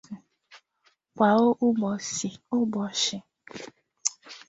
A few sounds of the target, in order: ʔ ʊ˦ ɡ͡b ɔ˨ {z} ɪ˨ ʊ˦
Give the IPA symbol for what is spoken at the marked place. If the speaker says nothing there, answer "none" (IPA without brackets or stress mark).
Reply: s